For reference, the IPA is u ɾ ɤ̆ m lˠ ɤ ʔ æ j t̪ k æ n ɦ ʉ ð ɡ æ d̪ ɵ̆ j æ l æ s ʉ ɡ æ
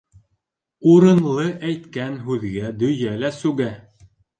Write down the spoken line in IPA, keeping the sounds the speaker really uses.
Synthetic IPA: u ɾ ɤ̆ n lˠ ɤ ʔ æ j t̪ k æ n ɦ ʉ ð ɡ æ d̪ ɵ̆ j æ l æ s ʉ ɡ æ

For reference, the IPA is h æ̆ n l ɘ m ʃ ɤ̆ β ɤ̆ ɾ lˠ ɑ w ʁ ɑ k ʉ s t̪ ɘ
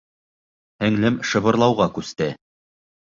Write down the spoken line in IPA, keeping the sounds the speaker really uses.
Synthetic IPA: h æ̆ ŋ l ɘ m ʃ ɤ̆ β ɤ̆ ɾ lˠ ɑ w ʁ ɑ k ʉ s t̪ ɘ

